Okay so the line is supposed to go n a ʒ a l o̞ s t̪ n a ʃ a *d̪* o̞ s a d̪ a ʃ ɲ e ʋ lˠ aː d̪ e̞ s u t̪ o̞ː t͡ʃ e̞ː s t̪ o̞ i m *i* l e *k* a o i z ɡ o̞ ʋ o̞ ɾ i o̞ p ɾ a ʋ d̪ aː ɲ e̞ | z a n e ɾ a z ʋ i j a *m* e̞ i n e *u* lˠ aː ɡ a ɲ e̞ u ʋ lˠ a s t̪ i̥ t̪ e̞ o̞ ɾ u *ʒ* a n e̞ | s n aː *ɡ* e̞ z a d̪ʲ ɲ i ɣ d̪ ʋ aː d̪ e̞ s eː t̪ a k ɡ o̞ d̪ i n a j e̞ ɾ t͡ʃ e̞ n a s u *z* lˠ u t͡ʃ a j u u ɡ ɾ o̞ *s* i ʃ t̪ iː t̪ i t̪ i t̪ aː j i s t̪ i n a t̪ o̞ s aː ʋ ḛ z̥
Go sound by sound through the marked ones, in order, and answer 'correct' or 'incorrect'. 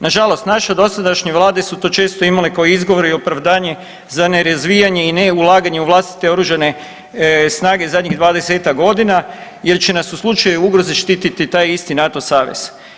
correct, incorrect: a, correct, incorrect: ɲ, correct, correct, correct, incorrect: s, incorrect: z

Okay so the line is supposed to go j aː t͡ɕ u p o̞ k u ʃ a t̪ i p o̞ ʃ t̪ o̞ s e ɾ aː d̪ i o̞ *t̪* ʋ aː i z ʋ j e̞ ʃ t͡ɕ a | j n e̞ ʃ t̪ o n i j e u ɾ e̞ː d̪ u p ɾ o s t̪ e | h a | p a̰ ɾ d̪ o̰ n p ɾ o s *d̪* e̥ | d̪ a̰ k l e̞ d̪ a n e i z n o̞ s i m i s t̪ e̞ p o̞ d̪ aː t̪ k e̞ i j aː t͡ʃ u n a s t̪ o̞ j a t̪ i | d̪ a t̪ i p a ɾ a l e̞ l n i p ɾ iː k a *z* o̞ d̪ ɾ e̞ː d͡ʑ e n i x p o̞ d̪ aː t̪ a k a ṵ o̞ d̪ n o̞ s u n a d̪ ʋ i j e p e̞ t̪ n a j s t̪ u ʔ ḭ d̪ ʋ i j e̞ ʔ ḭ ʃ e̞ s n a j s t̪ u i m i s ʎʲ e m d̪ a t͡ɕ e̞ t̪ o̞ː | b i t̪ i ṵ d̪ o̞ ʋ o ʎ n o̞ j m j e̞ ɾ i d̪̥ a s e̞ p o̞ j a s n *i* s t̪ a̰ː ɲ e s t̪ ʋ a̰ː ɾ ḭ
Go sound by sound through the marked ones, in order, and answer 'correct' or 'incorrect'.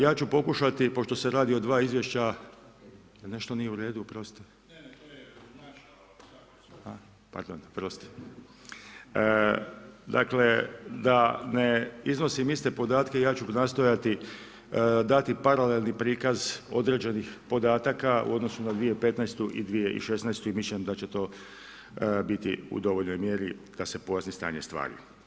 incorrect: d̪, incorrect: t̪, correct, correct

